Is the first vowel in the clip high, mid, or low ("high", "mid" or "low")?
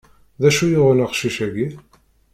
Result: low